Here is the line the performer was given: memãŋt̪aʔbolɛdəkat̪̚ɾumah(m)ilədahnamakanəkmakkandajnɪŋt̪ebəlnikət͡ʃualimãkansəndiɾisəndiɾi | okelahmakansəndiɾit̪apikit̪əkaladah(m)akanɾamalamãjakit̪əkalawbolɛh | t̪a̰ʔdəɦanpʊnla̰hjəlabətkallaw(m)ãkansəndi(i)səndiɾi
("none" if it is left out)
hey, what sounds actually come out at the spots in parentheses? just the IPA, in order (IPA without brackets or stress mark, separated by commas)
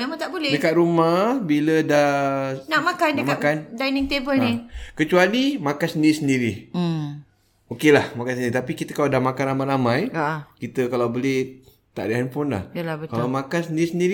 b, m, m, i